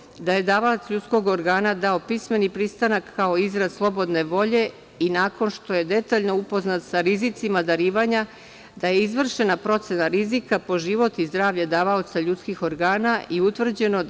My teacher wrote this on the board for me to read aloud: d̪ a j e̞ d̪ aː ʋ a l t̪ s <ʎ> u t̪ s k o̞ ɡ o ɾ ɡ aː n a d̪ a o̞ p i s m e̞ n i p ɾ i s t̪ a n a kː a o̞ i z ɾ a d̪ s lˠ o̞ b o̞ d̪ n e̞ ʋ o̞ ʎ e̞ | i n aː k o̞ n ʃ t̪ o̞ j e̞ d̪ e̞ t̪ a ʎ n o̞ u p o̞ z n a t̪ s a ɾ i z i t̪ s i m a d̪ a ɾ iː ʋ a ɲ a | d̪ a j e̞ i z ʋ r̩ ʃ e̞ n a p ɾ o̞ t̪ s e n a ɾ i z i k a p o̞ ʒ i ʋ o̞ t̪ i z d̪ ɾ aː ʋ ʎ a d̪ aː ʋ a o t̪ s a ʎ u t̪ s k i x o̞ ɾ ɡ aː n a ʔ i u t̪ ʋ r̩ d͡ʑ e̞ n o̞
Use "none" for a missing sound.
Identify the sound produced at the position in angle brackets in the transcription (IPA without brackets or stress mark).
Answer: ʎ